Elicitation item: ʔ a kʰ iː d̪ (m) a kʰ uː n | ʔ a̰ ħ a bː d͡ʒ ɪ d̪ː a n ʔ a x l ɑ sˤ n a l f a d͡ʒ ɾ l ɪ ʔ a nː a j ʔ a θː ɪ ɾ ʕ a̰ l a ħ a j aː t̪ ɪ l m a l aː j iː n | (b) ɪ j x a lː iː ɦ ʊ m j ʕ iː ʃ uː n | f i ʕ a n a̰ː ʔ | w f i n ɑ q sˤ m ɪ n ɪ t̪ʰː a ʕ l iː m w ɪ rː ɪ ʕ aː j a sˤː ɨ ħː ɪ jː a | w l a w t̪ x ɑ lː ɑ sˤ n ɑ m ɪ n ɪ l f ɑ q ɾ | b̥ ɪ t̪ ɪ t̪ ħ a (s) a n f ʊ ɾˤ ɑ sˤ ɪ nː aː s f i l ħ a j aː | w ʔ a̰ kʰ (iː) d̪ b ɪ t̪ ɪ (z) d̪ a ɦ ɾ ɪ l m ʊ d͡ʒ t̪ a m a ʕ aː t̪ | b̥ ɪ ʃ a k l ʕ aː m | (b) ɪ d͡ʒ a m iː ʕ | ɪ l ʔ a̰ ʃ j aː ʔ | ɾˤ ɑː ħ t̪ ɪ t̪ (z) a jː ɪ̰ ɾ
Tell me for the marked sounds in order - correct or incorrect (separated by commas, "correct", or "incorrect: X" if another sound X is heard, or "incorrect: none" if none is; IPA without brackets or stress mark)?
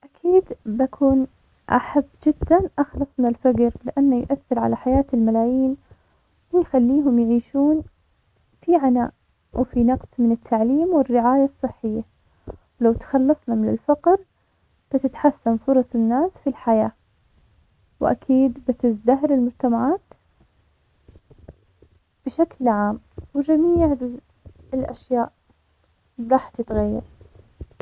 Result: incorrect: b, incorrect: w, incorrect: sː, correct, correct, incorrect: w, incorrect: ɣ